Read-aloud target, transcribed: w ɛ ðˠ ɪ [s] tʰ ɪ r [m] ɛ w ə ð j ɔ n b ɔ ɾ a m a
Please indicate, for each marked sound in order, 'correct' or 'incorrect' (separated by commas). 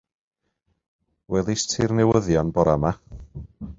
correct, incorrect